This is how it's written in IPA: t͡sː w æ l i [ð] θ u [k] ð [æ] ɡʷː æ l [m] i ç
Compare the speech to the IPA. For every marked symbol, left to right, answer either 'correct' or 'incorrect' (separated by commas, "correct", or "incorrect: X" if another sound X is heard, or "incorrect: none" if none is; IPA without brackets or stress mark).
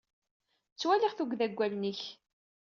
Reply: incorrect: ʁ, incorrect: ɡ, correct, incorrect: n